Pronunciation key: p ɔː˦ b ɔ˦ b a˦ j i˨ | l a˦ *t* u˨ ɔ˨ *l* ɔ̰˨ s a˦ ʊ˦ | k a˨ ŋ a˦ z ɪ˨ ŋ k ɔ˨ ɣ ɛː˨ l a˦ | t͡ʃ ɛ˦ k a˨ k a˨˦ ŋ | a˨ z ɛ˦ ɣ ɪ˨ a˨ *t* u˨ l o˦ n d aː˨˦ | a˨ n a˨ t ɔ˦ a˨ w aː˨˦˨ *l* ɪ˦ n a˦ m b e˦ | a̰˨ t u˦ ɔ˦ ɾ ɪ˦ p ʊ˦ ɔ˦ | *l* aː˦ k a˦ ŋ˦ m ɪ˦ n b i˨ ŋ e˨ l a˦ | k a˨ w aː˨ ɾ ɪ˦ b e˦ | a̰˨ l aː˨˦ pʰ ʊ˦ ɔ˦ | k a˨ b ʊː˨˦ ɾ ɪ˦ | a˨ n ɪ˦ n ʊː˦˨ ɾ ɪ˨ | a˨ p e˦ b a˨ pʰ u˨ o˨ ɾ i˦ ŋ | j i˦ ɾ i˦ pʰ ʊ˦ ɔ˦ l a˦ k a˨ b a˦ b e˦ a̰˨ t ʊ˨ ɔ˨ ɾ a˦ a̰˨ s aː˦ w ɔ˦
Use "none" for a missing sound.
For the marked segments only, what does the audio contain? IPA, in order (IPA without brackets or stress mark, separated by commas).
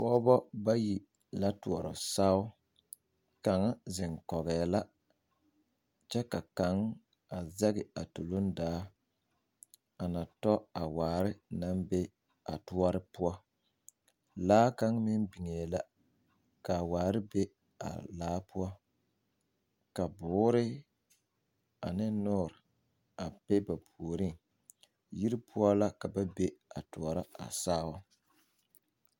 t, ɾ, t, ɾ, l